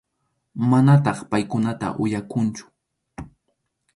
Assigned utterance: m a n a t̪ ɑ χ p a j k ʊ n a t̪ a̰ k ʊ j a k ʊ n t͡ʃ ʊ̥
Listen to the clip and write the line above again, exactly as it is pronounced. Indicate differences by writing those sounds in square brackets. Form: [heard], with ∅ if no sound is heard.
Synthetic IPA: m a n a t̪ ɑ χ p a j k ʊ n a t̪ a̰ [ʔ] ʊ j a k ʊ n t͡ʃ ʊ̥